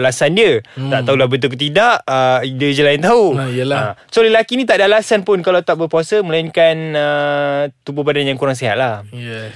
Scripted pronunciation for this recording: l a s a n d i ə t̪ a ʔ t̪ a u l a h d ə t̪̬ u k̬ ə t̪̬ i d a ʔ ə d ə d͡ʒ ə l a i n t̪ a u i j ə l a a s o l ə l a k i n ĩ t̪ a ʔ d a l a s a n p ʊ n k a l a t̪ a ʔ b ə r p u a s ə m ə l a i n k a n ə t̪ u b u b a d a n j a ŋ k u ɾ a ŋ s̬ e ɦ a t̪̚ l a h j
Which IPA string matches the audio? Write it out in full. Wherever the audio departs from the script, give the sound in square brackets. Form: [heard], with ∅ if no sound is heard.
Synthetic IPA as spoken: l a s a n d i ə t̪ a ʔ t̪ a u l a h [b] ə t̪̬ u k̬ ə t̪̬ i d a ʔ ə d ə d͡ʒ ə l a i n t̪ a u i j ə l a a s o l ə l a k i n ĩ t̪ a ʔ d a l a s a n p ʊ n k a l a t̪ a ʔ b ə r p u a s ə m ə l a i n k a n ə t̪ u b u b a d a n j a ŋ k u ɾ a ŋ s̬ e ɦ a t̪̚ l a h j